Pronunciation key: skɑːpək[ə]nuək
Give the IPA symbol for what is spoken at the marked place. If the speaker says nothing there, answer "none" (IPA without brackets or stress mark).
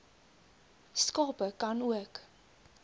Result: ɐ